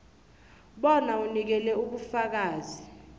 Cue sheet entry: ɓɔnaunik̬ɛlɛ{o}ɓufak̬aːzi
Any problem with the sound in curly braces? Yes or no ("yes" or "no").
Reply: yes